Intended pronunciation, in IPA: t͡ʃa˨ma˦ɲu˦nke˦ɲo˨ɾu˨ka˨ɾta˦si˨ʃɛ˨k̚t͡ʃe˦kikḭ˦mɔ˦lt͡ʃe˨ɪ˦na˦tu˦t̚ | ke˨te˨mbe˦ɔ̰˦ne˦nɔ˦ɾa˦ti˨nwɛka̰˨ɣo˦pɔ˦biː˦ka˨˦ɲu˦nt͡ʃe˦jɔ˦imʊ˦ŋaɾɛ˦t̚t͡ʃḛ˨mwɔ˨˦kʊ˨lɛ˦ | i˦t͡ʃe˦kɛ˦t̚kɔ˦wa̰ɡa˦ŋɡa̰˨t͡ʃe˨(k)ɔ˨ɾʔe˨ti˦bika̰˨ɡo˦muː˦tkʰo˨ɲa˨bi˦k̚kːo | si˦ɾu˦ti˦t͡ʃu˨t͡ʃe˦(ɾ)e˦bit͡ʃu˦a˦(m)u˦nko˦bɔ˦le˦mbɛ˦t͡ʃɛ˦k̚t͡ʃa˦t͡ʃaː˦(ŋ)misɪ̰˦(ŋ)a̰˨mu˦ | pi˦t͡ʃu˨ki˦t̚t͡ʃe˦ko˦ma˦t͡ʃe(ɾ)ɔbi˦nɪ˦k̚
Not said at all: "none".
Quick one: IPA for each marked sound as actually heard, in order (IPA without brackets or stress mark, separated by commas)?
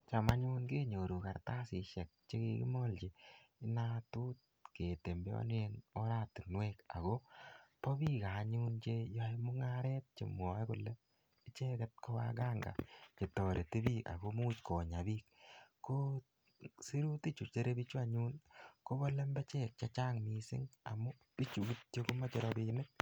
t, ɾ, ɲ, ŋ, ŋ, ɾ